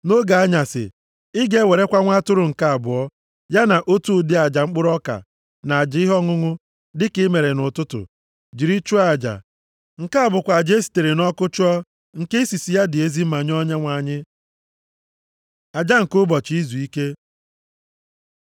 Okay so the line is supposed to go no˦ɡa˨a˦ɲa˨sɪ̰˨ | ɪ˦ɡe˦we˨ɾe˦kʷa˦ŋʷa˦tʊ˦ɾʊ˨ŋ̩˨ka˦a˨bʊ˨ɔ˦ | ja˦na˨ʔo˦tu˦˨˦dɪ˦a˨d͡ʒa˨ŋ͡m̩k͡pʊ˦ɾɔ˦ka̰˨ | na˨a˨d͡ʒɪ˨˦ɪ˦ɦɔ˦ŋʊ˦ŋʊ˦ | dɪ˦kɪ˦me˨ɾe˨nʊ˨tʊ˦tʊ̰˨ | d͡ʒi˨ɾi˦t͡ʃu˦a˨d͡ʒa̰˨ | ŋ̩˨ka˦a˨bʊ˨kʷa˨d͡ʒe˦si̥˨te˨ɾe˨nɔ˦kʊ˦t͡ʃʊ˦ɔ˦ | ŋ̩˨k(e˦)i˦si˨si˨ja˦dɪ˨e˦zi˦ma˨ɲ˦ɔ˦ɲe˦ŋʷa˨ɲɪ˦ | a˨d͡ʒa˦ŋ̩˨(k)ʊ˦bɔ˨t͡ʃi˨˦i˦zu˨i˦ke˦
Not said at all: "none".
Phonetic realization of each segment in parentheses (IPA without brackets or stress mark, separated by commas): e˦, k